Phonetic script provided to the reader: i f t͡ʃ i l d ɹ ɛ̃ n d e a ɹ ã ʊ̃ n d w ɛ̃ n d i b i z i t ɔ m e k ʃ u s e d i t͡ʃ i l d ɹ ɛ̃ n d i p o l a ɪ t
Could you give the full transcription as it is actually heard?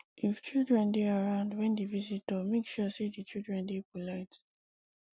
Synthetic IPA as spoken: i f t͡ʃ i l d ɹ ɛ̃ n d e a ɹ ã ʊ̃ n d w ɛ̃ n d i v i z i t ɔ m e k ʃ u s e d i t͡ʃ i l d ɹ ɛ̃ n d e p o l a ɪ t

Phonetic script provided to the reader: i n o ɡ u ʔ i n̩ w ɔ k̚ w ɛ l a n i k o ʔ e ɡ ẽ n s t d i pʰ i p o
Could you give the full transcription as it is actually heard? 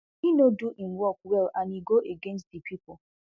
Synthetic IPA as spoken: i n o d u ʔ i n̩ w ɔ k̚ w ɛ l a n i ɡ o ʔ e ɡ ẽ n s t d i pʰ i p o

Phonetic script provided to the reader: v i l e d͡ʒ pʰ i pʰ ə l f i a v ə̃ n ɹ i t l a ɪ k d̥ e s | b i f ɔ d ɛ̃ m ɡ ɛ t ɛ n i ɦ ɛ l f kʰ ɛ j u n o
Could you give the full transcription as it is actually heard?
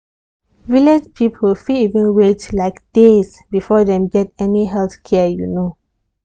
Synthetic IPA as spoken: v i l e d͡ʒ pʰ i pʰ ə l f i i v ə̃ n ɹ e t l a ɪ k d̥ e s | b i f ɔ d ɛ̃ m ɡ ɛ t ɛ n i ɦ ɛ l θ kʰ ɛ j u n o

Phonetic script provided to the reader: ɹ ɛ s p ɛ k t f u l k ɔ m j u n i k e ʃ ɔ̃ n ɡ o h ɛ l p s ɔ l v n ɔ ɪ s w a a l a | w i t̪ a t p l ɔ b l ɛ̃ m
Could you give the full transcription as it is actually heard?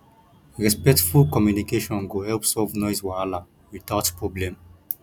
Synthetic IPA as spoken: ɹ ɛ s p ɛ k t f u l k ɔ m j u n i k e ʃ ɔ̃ n ɡ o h ɛ l p s ɔ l v n ɔ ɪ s w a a l a | w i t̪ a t p ɹ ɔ b l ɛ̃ m

